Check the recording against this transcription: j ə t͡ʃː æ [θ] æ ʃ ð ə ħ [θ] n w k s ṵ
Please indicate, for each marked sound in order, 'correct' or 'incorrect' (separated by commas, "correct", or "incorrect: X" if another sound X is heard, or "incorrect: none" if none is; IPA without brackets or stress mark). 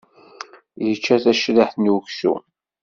correct, correct